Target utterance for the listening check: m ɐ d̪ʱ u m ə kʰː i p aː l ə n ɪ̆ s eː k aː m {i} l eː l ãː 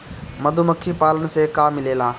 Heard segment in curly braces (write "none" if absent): ɪ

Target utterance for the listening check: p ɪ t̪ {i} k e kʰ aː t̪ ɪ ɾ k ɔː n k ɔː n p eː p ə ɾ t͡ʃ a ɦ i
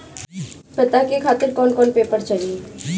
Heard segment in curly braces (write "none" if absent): a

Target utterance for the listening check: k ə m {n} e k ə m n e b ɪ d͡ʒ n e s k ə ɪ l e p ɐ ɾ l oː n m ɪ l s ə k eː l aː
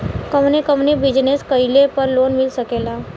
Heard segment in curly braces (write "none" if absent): n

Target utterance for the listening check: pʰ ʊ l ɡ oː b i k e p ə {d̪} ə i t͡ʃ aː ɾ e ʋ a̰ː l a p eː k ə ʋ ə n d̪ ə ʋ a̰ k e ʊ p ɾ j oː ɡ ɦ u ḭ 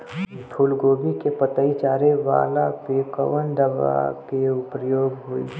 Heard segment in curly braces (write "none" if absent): t̪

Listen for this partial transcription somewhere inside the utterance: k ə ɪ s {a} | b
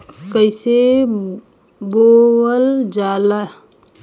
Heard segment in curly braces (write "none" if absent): e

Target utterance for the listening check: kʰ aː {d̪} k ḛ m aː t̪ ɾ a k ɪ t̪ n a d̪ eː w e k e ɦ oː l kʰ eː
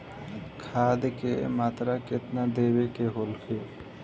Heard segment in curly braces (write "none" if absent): d̪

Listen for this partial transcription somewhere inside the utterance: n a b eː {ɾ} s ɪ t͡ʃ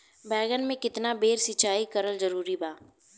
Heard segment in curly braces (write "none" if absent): ɾ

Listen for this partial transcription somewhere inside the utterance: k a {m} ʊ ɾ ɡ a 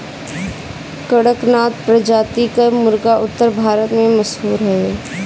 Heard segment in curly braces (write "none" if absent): m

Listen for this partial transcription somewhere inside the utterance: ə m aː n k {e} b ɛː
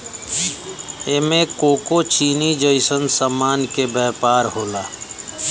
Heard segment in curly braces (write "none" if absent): e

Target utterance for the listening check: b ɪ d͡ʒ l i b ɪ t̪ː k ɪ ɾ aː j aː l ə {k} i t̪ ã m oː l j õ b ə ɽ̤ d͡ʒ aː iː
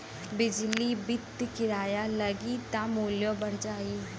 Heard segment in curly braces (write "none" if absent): ɡ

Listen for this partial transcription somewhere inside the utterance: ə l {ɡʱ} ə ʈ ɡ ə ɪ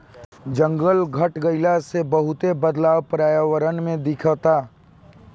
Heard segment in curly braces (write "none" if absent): ɡʱ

